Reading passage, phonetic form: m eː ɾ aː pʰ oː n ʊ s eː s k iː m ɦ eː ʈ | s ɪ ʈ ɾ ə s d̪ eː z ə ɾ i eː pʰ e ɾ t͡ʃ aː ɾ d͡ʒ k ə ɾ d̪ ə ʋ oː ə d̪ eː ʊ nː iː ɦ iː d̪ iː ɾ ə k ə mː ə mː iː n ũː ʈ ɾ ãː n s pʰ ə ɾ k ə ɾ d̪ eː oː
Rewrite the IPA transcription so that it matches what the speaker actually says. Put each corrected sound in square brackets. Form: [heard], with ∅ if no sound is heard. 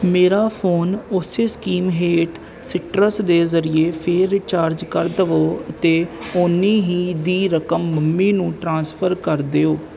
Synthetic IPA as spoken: m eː ɾ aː pʰ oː n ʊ s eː s k iː m ɦ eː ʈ | s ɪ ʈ ɾ ə s d̪ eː z ə ɾ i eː pʰ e ɾ t͡ʃ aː ɾ d͡ʒ k ə ɾ d̪ ə ʋ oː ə [t̪] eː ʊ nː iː ɦ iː d̪ iː ɾ ə k ə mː ə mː iː n ũː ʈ ɾ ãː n s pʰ ə ɾ k ə ɾ d̪ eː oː